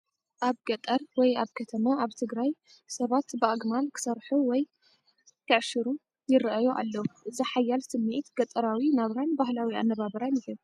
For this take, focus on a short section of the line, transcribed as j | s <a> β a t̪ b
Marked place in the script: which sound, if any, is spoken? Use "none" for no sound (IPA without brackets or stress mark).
ɐ